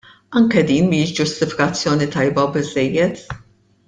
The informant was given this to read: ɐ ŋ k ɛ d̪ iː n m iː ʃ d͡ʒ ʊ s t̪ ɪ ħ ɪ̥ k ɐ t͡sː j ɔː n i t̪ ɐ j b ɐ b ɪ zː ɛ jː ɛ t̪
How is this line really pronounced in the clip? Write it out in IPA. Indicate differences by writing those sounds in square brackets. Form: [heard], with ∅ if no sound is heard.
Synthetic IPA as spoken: ɐ ŋ k ɛ d̪ iː n m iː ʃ d͡ʒ ʊ s t̪ ɪ [f] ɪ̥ k ɐ t͡sː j ɔː n i t̪ ɐ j b ɐ b ɪ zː ɛ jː ɛ t̪